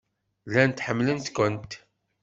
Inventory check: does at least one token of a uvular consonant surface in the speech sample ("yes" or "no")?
no